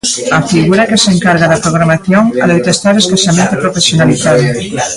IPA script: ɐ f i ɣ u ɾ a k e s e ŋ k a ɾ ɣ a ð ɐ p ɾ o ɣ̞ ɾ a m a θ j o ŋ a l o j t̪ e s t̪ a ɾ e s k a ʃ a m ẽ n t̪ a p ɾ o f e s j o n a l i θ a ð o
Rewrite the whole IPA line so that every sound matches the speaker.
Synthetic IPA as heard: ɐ f i ɣ u ɾ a k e s e ŋ k a ɾ ɣ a ð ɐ p ɾ o ɣ̞ ɾ a m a θ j o ŋ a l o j t̪ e s t̪ a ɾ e s k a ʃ a m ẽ n t̪ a p ɾ o f e s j o n a l i θ a ð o